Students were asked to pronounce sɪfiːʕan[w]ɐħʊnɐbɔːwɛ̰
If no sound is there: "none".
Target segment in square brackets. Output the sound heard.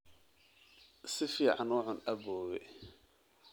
w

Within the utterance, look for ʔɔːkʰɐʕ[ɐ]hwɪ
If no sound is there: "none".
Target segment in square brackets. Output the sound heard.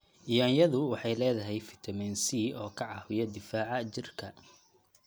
ɑ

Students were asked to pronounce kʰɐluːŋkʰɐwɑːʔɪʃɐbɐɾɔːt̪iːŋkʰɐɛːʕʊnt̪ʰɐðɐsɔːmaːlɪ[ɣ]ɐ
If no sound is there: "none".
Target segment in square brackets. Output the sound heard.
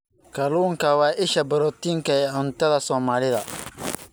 ð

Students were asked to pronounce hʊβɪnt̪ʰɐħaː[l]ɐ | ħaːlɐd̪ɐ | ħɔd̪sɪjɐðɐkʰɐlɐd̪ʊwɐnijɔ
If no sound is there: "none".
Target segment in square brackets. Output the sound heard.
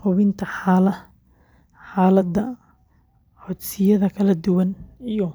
l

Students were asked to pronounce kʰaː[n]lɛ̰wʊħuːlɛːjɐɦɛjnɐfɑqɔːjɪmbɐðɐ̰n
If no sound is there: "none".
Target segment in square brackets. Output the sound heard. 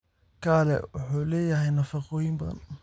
none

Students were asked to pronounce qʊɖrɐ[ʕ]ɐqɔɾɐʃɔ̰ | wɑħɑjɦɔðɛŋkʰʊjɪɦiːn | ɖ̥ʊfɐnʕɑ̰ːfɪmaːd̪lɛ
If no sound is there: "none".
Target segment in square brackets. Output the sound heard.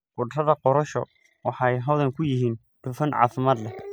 ð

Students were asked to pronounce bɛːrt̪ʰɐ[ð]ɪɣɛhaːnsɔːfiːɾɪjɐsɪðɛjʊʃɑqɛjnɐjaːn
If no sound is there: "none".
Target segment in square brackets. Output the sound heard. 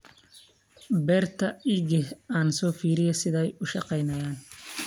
none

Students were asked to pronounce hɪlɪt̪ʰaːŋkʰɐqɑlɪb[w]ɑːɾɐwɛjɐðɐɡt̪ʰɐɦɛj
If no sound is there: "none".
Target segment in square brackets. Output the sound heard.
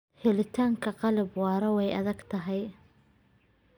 w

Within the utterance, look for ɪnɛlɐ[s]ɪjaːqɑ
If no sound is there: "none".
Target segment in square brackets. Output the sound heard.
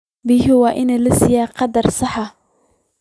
s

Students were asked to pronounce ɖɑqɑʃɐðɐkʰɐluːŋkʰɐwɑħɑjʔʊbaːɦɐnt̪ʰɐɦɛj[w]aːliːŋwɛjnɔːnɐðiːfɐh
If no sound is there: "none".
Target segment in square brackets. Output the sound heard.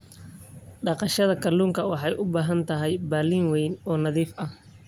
b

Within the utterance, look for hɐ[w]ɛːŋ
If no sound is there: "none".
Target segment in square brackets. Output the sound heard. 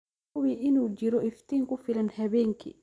β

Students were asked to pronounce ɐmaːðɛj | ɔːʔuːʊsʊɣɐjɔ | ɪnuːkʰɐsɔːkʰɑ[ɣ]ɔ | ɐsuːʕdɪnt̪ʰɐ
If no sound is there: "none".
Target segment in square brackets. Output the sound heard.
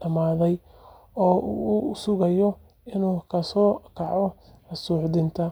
ʕ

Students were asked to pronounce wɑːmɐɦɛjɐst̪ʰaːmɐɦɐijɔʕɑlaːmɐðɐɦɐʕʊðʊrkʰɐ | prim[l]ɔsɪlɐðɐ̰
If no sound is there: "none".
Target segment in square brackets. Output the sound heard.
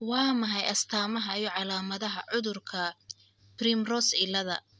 r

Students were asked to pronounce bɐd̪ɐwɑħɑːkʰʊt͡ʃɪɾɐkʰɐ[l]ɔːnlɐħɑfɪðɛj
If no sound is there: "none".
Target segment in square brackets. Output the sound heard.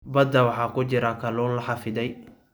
l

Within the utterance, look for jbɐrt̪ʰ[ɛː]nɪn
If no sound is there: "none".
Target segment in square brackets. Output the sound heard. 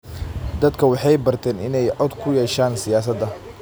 ɛː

